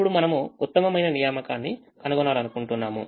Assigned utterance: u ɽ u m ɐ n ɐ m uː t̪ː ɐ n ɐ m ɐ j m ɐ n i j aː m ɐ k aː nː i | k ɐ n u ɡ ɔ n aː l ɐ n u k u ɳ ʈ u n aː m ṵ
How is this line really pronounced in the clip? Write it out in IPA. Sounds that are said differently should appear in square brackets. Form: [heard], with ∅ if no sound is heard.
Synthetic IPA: u ɽ u m ɐ n ɐ m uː t̪ː ɐ [m] ɐ m ɐ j [n] ɐ n i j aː m ɐ k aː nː i | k ɐ n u ɡ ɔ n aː l ɐ n u k u ɳ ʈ u [nː] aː m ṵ